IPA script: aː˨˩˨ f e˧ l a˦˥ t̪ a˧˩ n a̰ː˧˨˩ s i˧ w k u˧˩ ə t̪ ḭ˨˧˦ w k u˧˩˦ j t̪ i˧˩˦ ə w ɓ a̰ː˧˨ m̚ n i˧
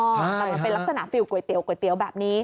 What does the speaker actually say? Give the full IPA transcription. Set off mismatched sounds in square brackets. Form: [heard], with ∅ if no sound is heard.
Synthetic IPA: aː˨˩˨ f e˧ l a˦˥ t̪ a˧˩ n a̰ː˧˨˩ [f] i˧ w k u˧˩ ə t̪ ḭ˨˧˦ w k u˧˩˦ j t̪ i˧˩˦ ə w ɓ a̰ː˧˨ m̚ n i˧